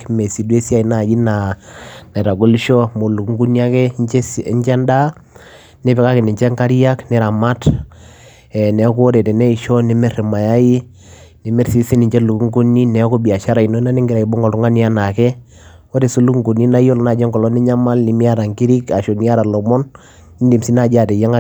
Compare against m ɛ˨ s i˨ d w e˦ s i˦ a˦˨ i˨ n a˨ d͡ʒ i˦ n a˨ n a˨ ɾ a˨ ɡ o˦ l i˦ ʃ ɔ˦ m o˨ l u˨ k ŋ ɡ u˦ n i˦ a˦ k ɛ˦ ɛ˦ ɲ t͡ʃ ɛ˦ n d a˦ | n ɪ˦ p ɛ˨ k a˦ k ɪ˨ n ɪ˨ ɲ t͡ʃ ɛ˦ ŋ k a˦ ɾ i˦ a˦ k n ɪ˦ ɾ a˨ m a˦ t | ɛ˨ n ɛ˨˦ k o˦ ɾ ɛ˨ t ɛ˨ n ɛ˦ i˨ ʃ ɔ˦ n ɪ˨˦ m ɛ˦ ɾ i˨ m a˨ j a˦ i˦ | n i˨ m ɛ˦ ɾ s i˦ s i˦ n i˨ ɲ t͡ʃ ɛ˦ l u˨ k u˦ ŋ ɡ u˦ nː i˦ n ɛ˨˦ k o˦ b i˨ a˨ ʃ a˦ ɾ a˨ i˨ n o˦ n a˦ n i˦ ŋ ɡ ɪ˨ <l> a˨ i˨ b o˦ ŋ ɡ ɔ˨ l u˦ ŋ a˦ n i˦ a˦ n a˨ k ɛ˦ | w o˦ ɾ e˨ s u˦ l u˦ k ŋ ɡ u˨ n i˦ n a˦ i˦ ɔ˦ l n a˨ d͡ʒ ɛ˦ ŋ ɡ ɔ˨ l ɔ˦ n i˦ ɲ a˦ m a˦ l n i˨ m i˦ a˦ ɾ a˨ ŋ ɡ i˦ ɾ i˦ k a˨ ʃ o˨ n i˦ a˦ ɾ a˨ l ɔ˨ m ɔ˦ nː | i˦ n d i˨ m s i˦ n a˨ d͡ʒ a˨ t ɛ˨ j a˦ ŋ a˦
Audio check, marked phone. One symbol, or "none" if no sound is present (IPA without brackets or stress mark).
ɾ